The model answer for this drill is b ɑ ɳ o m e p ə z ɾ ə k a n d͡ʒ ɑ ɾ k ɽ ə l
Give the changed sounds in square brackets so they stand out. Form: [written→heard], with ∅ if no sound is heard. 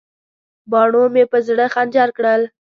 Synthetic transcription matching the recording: b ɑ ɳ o m e p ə z [ɾ→ɽ] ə [k→x] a n d͡ʒ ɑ ɾ k ɽ ə l